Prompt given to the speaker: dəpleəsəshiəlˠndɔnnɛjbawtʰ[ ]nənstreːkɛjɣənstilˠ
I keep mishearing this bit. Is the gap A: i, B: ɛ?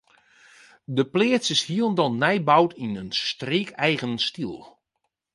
A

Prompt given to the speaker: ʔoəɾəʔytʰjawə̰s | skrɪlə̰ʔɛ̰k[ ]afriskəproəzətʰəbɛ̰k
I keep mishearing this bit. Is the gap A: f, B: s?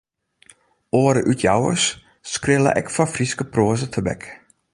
A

